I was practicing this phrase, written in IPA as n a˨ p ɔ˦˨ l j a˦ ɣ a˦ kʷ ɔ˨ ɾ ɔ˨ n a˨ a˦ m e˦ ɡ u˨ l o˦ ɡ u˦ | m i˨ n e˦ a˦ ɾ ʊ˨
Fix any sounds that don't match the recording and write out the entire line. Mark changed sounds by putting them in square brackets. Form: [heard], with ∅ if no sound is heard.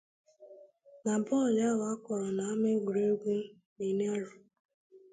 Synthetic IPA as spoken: n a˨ [b] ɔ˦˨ l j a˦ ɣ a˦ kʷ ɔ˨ ɾ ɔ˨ n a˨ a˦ m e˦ ɡ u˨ [ɾ] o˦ ɡ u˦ | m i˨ n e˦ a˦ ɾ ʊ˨